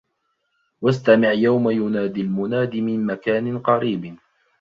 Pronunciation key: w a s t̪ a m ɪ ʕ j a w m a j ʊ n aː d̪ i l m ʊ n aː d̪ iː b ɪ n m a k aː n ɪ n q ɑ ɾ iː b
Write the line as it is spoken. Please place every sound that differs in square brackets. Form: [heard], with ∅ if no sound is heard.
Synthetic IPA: w a s t̪ a m ɪ ʕ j a w m a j ʊ n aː d̪ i l m ʊ n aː d̪ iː [m] ɪ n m a k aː n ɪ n q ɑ ɾ iː b